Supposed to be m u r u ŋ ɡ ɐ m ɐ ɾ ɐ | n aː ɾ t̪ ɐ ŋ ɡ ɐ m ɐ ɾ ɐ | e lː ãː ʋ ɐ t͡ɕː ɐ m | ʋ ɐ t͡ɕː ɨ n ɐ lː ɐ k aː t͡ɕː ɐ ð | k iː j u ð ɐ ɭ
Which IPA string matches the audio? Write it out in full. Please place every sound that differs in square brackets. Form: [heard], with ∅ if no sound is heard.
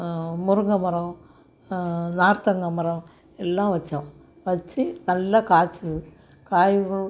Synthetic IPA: m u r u ŋ ɡ ɐ m ɐ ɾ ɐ | n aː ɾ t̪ ɐ ŋ ɡ ɐ m ɐ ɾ ɐ | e lː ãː ʋ ɐ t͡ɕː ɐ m | ʋ ɐ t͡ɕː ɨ n ɐ lː ɐ k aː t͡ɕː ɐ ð | k [aː] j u [ɣ] ɐ ɭ